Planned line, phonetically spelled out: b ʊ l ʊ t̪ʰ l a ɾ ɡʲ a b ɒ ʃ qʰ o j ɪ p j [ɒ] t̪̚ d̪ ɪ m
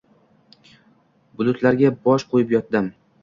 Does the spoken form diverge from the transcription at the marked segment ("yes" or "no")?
no